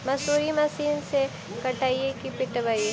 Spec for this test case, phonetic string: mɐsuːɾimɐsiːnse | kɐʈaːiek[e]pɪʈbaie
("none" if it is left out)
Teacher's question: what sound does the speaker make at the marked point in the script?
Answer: i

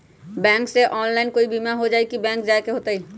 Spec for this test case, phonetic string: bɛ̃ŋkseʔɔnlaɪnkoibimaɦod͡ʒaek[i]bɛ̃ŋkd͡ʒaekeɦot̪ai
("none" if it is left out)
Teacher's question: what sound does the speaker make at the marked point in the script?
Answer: i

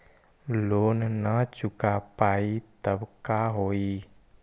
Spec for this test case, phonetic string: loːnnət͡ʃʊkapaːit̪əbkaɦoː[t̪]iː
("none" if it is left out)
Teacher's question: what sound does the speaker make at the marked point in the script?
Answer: none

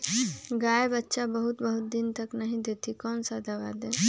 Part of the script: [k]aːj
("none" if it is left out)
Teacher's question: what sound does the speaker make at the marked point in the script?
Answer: ɡ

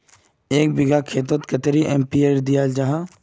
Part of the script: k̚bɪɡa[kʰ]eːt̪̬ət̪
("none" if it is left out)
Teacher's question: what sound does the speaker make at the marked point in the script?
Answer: kʰ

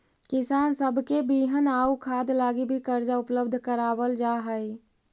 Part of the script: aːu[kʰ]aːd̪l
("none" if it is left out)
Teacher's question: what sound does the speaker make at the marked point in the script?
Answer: kʰ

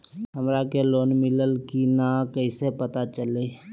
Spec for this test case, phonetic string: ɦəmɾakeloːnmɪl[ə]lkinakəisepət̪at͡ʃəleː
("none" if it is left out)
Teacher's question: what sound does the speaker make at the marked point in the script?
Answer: ə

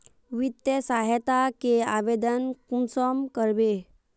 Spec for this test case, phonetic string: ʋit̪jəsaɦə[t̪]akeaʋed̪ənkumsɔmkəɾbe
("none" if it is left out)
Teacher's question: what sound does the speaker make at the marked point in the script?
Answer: t̪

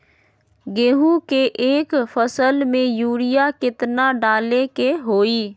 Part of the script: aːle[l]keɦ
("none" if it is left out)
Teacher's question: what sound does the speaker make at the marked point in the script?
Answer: none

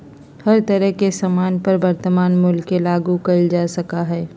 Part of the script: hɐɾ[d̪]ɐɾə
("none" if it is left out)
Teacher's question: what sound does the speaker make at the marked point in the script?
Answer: t̪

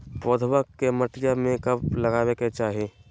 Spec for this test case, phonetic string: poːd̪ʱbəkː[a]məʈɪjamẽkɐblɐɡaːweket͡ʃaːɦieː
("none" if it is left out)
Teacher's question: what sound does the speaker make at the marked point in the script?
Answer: e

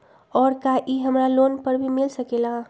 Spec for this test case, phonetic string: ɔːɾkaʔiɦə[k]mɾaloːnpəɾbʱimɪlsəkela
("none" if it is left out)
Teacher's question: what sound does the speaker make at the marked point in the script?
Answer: none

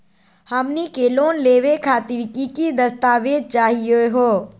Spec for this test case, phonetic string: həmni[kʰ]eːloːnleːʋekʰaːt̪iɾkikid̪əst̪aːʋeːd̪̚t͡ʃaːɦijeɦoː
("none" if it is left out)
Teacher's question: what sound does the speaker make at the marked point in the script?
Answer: k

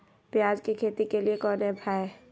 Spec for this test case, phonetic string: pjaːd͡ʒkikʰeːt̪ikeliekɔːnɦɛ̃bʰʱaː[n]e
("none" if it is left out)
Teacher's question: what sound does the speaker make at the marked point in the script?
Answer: none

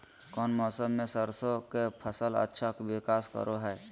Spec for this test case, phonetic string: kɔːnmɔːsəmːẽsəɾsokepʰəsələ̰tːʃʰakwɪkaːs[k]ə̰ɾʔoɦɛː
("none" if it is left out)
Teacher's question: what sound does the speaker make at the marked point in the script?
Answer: k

